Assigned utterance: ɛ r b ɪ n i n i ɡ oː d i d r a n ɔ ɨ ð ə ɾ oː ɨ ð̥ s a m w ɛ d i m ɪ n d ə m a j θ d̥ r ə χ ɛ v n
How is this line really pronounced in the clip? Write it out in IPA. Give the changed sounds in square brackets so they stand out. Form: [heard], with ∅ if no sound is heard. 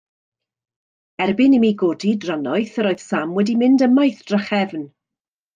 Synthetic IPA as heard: ɛ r b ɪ n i [m] i ɡ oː d i d r a n ɔ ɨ [θ] ə ɾ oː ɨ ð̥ s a m w ɛ d i m ɪ n d ə m a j θ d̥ r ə χ ɛ v n

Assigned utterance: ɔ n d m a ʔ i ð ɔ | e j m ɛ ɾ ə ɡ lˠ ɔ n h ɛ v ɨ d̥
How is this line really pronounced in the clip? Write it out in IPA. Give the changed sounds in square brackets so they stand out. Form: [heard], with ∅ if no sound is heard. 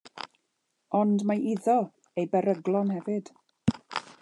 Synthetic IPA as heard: ɔ n d m a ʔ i ð ɔ | e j [b] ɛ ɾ ə ɡ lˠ ɔ n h ɛ v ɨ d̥

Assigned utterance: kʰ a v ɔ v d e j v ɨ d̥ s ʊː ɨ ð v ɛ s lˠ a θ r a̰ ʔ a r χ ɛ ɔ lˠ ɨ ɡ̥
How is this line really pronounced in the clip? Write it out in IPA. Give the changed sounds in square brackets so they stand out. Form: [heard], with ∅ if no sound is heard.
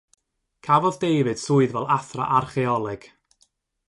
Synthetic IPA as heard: kʰ a v ɔ [ð] d e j v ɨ d̥ s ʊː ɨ ð v ɛ [∅] lˠ a θ r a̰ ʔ a r χ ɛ ɔ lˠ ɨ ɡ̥

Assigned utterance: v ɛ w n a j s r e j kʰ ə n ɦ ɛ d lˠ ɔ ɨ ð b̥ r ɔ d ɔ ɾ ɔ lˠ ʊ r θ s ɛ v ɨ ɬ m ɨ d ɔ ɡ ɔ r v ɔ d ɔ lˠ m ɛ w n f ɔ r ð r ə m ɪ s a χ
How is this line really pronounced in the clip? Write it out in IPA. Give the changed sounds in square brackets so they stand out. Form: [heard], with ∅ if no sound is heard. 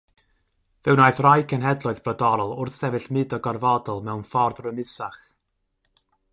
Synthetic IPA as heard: v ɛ w n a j [θ] r [a] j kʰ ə n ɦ ɛ d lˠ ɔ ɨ ð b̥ r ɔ d ɔ ɾ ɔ lˠ ʊ r θ s ɛ v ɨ ɬ m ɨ d ɔ ɡ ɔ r v ɔ d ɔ lˠ m ɛ w n f ɔ r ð r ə m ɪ s a χ

